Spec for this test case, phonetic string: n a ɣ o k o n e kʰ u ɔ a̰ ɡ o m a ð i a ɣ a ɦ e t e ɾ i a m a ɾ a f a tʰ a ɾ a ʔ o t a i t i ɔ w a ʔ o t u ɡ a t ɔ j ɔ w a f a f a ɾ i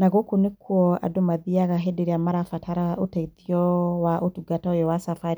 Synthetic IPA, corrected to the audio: n a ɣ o k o n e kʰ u ɔ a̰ d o m a ð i a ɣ a ɦ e d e ɾ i a m a ɾ a f a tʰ a ɾ a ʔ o t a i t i ɔ w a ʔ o t u ɡ a t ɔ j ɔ w a s a f a ɾ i

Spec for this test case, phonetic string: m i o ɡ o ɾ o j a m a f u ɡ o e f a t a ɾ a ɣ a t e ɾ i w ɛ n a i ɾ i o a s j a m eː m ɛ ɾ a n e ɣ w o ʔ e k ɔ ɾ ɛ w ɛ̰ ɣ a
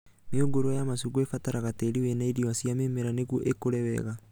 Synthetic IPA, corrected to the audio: m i o ɡ o ɾ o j a m a s u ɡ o e f a t a ɾ a ɣ a t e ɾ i w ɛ n a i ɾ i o a s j a m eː m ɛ ɾ a n e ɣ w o ʔ e k o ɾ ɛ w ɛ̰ ɣ a

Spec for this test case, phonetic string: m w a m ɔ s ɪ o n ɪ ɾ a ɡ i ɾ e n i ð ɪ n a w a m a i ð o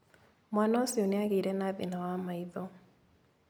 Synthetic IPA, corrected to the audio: m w a n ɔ s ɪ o n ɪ a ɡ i ɾ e n a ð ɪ n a w a m a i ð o

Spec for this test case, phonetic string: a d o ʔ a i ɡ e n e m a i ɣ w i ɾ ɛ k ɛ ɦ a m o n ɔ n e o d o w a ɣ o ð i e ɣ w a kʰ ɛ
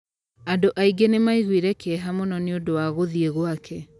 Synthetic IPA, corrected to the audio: a d o ʔ a i ɡ e n e m a i ɣ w i ɾ ɛ k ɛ ɦ a m o n ɔ n e o d o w a ɣ o ð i e ɣ w a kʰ ɛ

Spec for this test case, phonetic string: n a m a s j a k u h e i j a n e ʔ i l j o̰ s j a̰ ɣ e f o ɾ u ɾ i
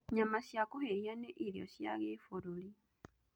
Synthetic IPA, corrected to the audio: ɲ a m a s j a k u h e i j a n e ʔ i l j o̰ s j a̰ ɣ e f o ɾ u l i

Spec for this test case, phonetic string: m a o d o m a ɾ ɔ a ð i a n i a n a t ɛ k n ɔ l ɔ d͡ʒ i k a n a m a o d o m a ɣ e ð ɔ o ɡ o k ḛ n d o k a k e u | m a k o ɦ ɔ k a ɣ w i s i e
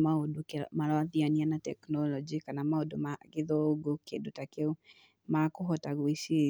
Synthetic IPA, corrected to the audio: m a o d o m a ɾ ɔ a ð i a n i a n a t ɛ k n ɔ l ɔ d͡ʒ i k a n a m a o d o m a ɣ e ð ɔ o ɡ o k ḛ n d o t a k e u | m a k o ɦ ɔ t a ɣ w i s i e

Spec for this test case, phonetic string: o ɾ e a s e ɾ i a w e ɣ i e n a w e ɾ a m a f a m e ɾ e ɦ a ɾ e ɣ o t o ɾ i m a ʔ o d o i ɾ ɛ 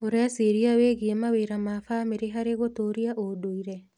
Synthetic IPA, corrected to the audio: o ɾ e a s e ɾ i a w e ɣ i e m a w e ɾ a m a f a m e ɾ e ɦ a ɾ e ɣ o t o ɾ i a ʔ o d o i ɾ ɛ

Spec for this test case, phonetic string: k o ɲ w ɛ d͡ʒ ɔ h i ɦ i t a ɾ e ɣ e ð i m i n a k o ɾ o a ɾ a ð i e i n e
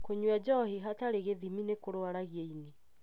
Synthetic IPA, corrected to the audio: k o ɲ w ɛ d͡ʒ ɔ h i ɦ a t a ɾ e ɣ e ð i m i n e k o ɾ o a ɾ a ɣ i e i n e

